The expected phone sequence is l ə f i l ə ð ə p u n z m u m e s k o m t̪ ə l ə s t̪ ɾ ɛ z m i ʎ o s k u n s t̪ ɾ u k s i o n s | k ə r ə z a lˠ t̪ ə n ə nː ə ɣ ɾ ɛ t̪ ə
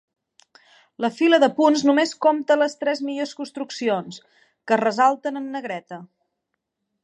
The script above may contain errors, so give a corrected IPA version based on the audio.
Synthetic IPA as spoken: l ə f i l ə ð ə p u n z n u m e s k o m t̪ ə l ə s t̪ ɾ ɛ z m i ʎ o s k u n s t̪ ɾ u k s i o n s | k ə r ə z a lˠ t̪ ə n ə nː ə ɣ ɾ ɛ t̪ ə